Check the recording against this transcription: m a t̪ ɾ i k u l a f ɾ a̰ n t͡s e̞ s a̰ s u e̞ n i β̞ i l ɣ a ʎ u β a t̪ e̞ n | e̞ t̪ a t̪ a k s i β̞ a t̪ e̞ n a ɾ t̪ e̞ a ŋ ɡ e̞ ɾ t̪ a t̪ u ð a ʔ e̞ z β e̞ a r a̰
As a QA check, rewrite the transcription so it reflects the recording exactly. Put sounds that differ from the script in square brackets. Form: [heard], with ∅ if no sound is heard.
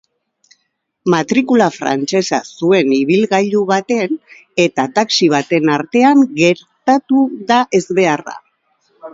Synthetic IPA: m a t̪ ɾ i k u l a f ɾ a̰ n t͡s e̞ s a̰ s u e̞ n i β̞ i l ɣ a ʎ u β a t̪ e̞ n | e̞ t̪ a t̪ a k s i β̞ a t̪ e̞ n a ɾ t̪ e̞ a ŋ ɡ e̞ ɾ t̪ a t̪ u ð a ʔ e̞ z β e̞ a r a̰